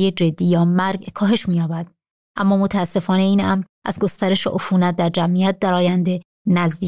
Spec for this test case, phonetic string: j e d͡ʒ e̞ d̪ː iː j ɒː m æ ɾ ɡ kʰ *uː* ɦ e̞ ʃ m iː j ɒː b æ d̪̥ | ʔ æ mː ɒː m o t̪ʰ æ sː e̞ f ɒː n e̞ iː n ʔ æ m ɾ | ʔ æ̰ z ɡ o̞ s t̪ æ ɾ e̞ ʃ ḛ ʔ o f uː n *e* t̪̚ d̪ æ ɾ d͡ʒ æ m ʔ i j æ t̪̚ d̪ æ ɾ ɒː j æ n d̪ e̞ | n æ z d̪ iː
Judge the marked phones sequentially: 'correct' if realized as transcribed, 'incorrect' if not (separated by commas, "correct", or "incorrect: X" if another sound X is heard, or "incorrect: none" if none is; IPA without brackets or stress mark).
incorrect: ɒː, incorrect: æ